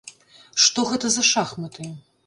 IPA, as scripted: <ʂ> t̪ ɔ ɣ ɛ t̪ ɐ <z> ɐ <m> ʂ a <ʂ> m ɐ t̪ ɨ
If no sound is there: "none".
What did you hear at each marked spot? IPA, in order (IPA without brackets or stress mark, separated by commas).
ʂ, z, none, x